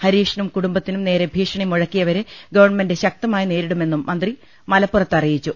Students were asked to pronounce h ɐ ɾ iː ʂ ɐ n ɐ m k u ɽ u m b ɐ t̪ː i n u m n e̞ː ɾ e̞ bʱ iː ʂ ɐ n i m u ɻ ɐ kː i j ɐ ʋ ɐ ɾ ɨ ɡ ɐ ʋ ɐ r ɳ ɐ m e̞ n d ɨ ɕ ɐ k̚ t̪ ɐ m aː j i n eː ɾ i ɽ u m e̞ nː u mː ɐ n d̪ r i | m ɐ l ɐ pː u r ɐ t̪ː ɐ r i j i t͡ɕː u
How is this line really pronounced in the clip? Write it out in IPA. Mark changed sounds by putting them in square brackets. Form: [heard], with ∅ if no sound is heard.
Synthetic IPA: h ɐ ɾ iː ʂ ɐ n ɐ m k u ɽ u m b ɐ t̪ː i n u m n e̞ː ɾ e̞ bʱ iː ʂ ɐ [ɳ] i m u ɻ ɐ kː i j ɐ ʋ ɐ ɾ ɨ ɡ ɐ ʋ ɐ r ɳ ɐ m e̞ n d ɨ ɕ ɐ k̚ t̪ ɐ m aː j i n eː ɾ i ɽ u m e̞ nː u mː ɐ n d̪ r i | m ɐ l ɐ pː u r ɐ t̪ː ɐ r i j i t͡ɕː u